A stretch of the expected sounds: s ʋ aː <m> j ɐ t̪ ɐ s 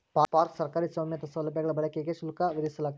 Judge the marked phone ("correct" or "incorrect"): correct